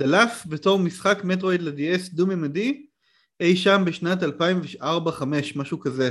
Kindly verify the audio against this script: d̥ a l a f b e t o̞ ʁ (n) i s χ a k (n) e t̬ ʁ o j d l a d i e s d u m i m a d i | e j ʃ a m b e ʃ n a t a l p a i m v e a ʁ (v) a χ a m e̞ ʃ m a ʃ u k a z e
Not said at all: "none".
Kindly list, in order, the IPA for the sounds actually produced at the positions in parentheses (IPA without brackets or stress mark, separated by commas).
m, m, b